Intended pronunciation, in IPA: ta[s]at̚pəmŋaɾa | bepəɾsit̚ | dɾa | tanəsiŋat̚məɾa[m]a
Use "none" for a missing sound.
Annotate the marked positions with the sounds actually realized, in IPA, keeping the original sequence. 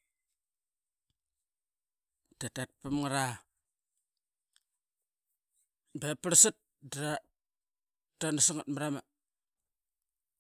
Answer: t, m

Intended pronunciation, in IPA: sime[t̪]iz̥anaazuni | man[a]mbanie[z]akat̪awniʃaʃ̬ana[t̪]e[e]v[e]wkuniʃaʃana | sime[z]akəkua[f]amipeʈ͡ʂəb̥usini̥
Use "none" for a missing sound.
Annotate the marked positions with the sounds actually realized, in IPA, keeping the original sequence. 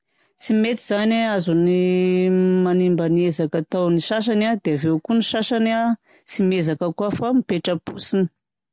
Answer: t̪, i, z, d̪, a, e, z, f

